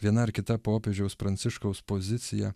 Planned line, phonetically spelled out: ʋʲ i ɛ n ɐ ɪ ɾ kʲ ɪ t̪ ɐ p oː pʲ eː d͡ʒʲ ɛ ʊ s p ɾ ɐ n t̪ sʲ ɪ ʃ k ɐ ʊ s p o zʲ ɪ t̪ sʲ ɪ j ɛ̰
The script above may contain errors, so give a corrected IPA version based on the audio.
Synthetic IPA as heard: ʋʲ i ɛ n ɐ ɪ ɾ kʲ ɪ t̪ ɐ p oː pʲ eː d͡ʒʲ ɛ ʊ s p ɾ ɐ n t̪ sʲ ɪ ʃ k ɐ ʊ s p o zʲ ɪ t̪ sʲ ɪ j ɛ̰